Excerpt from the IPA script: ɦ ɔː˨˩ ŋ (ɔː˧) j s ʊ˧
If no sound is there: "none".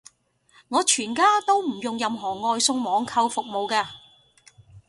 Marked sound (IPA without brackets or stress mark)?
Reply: ɔː˧